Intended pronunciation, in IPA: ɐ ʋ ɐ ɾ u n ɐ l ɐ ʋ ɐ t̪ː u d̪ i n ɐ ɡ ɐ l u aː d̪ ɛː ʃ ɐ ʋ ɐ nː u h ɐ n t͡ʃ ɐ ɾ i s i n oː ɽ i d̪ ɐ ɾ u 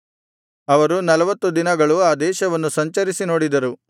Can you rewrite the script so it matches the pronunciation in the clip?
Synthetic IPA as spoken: ɐ ʋ ɐ ɾ u n ɐ l ɐ ʋ ɐ t̪ː u d̪ i n ɐ ɡ ɐ ɭ u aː d̪ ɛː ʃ ɐ ʋ ɐ nː u s ɐ ɲ t͡ʃ ɐ ɾ i s i n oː ɽ i d̪ ɐ ɾ u